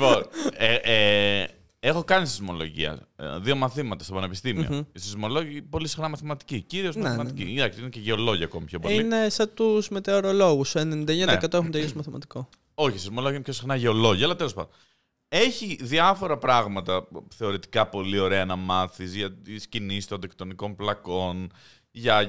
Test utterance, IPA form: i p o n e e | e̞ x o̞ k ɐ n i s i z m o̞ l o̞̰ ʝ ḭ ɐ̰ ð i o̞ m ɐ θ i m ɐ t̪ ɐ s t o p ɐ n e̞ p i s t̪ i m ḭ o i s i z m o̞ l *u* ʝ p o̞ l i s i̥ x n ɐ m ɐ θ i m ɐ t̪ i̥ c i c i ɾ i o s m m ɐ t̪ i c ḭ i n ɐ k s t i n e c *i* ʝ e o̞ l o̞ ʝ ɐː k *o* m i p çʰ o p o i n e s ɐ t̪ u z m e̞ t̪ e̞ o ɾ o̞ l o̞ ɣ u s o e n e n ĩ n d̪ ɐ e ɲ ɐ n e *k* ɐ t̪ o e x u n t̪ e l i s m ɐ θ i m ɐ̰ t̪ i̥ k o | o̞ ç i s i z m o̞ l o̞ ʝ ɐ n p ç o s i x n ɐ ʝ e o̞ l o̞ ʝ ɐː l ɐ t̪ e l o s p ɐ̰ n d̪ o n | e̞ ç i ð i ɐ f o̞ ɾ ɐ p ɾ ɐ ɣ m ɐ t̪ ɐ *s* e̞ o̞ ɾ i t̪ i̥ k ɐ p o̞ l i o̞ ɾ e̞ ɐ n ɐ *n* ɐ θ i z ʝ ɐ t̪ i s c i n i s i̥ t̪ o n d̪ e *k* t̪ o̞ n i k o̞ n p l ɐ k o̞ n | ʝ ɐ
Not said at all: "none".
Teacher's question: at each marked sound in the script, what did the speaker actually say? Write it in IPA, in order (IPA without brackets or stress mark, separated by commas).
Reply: o, e, o, k, θ, m, k